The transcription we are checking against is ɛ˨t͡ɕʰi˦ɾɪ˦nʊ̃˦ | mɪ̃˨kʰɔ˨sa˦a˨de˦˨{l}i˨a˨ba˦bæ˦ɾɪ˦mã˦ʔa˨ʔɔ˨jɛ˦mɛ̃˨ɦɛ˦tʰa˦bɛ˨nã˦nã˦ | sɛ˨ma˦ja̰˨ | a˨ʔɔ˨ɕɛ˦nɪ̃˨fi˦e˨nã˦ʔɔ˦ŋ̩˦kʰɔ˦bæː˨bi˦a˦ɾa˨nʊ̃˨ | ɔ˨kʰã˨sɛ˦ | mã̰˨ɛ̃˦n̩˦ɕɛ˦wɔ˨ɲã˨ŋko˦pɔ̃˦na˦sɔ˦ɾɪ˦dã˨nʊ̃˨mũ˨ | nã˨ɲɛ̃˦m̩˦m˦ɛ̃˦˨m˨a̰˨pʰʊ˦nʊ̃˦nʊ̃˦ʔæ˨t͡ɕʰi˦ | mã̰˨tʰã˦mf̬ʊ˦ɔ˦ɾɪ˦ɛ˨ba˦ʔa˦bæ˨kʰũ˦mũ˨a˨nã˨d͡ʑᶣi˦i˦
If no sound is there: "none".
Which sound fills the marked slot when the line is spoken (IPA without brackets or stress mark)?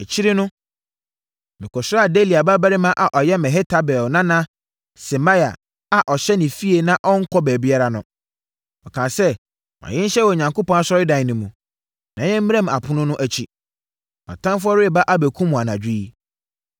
l